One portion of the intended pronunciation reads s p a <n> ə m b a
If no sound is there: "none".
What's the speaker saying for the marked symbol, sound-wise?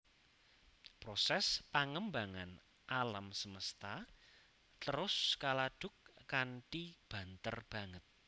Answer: ŋ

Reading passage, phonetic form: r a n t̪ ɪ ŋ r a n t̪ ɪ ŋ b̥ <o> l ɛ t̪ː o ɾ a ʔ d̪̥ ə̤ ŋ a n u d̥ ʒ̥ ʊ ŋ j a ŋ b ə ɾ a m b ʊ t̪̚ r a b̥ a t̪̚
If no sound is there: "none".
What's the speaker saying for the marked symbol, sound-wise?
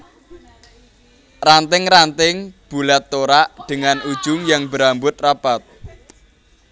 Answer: u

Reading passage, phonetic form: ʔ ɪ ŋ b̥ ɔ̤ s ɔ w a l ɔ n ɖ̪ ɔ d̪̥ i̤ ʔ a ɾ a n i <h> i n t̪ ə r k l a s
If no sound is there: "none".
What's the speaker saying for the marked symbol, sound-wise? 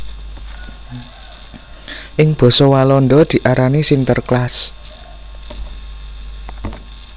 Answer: s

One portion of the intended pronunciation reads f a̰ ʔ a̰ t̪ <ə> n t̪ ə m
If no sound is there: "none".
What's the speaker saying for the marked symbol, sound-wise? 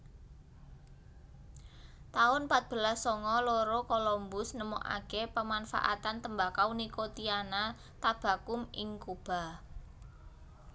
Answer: a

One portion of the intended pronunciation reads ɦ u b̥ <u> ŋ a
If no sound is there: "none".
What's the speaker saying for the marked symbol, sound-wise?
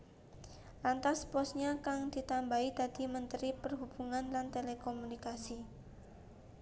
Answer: u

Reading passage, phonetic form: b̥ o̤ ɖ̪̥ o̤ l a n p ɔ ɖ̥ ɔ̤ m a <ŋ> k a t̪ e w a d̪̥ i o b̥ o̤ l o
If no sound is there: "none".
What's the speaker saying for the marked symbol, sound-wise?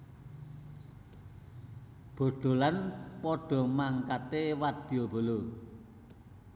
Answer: ŋ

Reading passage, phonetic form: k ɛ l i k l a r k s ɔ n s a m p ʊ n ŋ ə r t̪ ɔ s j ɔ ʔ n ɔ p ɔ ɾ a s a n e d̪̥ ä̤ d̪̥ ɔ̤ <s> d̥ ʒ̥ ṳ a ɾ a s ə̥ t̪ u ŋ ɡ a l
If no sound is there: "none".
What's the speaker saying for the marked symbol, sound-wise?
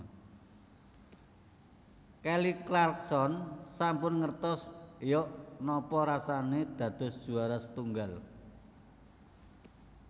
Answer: s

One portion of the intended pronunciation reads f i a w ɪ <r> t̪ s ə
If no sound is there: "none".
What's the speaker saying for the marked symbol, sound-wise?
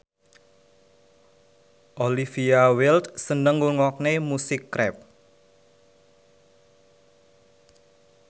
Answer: l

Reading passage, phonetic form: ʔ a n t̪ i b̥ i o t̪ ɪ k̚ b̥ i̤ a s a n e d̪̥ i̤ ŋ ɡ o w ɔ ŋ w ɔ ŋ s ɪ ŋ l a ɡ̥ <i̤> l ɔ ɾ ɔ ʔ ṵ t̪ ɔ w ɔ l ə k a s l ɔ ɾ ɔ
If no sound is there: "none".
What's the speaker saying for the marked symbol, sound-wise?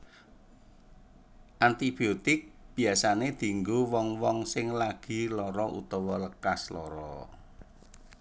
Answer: i̤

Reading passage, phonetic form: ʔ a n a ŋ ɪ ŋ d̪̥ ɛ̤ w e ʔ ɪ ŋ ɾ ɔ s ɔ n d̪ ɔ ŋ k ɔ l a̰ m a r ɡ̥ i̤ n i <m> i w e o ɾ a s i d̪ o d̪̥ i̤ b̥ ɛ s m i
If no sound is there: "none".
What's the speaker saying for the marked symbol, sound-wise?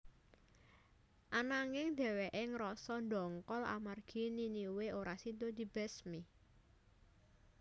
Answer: n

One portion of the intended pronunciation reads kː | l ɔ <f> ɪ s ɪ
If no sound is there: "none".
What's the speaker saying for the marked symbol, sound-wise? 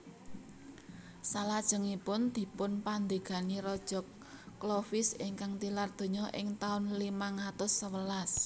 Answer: f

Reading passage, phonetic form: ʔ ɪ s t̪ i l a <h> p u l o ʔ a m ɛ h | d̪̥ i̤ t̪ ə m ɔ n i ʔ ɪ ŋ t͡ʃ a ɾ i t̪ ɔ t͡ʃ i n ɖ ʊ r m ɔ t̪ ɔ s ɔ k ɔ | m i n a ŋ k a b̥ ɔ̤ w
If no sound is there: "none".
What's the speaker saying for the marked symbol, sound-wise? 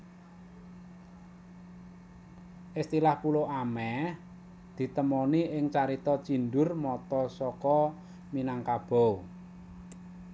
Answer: h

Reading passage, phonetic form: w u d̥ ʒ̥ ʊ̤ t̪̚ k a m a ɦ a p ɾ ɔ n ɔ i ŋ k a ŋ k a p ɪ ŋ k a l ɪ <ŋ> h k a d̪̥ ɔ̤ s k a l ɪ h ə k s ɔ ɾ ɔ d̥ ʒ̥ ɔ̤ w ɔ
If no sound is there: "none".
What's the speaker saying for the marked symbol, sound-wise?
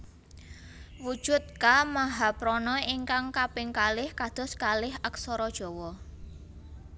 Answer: none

